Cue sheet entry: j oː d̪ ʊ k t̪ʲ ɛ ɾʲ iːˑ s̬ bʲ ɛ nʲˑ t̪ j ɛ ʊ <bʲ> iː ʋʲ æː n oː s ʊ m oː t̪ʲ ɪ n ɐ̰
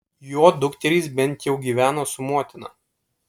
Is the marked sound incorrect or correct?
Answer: incorrect